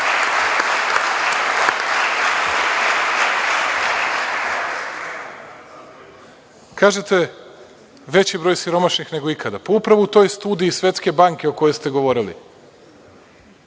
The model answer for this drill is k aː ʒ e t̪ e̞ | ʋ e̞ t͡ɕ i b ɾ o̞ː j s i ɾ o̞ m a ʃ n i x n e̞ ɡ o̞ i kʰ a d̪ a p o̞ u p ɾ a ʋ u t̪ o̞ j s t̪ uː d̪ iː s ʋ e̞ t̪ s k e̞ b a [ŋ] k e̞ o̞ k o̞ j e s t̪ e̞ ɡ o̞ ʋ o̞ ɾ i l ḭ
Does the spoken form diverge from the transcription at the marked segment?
no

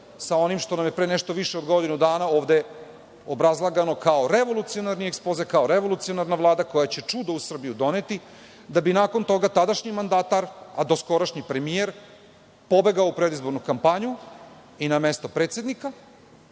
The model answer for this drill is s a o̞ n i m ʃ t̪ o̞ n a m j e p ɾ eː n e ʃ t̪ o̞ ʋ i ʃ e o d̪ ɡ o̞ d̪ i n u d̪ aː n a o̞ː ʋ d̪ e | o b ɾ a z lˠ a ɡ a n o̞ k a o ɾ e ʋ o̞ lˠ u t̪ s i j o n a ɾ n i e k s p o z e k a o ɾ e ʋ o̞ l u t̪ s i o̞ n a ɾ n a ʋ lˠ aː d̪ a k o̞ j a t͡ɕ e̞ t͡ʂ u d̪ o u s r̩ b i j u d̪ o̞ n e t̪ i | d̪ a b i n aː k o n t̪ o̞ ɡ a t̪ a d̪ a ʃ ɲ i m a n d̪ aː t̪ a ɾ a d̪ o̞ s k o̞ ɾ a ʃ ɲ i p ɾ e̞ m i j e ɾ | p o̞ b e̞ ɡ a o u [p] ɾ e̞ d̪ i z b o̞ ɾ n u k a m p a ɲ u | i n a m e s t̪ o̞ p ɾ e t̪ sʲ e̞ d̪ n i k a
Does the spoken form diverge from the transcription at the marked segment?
no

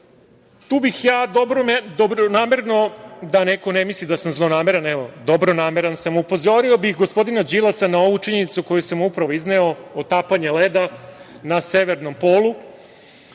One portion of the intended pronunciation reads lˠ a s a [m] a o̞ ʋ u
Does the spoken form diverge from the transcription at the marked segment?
yes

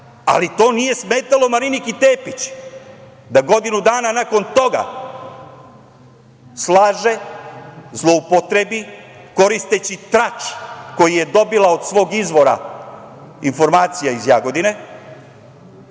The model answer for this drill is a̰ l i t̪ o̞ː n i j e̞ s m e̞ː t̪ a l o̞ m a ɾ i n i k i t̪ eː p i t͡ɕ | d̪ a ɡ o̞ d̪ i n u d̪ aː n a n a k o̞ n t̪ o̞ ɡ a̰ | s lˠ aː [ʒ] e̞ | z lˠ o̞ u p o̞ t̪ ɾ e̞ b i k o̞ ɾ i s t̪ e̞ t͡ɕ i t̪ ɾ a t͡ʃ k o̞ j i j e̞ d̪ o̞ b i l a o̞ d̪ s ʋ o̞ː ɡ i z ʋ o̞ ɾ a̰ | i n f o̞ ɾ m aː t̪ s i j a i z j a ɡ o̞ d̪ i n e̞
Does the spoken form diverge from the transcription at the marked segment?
no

